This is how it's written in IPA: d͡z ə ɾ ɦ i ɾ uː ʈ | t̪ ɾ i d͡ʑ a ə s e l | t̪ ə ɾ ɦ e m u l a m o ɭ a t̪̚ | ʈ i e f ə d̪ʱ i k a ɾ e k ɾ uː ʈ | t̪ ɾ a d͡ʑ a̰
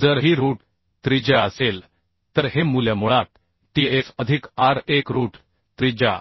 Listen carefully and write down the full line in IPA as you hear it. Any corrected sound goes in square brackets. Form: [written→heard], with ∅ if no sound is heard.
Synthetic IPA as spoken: d͡z ə ɾ ɦ i ɾ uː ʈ | t̪ ɾ i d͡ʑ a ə s e l | t̪ ə ɾ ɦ e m u l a m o ɭ a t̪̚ | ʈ i e f ə d̪ʱ i k a ɾ e k ɾ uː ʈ | t̪ ɾ [a→i] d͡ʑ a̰